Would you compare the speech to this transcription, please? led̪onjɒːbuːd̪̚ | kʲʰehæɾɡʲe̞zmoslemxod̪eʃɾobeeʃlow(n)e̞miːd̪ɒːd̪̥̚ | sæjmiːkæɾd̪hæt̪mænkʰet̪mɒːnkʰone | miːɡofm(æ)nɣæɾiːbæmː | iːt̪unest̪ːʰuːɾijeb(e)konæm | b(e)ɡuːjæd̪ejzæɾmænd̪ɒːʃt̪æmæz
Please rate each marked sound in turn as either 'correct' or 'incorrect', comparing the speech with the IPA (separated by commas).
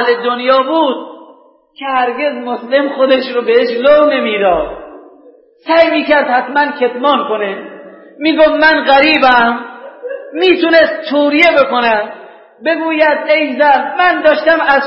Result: correct, correct, correct, correct